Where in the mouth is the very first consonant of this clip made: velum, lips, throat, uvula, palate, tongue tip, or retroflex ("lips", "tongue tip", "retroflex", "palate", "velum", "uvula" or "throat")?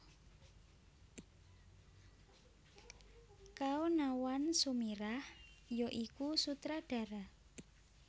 velum